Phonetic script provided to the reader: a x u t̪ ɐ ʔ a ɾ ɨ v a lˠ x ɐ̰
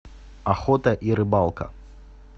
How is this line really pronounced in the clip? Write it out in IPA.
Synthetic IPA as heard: a x ɔ t̪ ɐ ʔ i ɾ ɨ b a lˠ k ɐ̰